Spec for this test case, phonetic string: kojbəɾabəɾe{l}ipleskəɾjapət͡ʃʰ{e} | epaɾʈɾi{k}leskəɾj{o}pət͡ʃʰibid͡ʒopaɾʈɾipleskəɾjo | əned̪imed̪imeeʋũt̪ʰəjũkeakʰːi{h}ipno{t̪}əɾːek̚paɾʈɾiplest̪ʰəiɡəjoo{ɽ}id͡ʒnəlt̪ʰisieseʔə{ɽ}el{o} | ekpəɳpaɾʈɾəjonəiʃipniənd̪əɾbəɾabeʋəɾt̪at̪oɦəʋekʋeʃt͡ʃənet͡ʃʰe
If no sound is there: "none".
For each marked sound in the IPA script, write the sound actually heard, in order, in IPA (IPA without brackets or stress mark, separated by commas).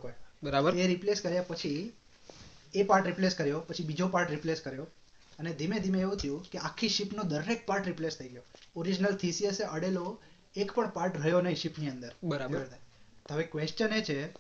ɾ, i, p, o, ʃ, d̪, ɾ, ɽ, o